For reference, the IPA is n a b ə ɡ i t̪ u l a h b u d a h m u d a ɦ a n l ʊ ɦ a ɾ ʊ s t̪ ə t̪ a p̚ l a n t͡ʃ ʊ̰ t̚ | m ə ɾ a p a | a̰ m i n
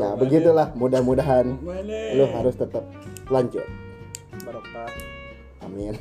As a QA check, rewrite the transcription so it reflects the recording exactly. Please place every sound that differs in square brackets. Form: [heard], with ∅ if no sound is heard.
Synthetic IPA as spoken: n a b ə ɡ i t̪ u l a h [m] u d a h m u d a ɦ a n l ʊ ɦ a ɾ ʊ s t̪ ə t̪ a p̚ l a [ɲ] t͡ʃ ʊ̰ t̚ | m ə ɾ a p a | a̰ m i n